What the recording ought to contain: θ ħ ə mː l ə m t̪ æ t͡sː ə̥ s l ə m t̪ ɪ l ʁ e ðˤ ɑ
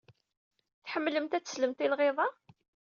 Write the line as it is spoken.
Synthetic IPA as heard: θ ħ ə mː l ə m t̪ æ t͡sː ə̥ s l ə m t̪ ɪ l ʁ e ðˤ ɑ